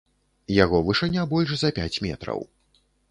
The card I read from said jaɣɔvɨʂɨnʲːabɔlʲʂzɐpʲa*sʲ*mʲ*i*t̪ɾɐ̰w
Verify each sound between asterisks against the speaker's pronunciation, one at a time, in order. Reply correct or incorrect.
incorrect: t͡sʲ, incorrect: ɛ

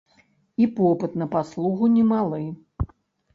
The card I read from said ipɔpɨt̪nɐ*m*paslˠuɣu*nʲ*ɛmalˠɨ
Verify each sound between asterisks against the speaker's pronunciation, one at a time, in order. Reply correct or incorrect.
incorrect: none, correct

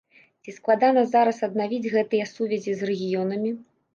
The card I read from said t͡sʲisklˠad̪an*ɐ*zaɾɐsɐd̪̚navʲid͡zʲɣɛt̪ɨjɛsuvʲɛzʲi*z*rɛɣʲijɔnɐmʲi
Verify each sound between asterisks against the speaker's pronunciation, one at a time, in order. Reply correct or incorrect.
correct, correct

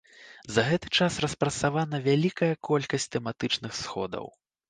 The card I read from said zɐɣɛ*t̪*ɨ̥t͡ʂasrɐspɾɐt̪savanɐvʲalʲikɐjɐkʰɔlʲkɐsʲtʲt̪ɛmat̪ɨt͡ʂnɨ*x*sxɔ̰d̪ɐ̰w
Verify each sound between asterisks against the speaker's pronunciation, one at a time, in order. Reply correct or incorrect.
correct, correct

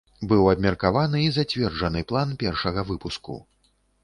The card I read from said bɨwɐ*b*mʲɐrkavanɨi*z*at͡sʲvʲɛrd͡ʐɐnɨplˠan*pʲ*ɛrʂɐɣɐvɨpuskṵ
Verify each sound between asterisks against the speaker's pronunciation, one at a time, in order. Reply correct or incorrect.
correct, correct, correct

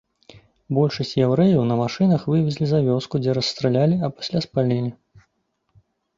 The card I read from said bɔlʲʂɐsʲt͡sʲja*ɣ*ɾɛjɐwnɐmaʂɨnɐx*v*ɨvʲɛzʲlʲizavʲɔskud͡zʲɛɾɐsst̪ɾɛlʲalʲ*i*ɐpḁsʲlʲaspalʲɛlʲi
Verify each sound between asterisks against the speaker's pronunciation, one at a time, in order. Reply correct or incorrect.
incorrect: w, correct, correct

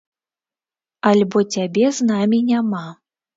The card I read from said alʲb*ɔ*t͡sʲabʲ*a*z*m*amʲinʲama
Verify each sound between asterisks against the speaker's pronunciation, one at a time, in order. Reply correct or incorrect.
correct, incorrect: ɛ, incorrect: n

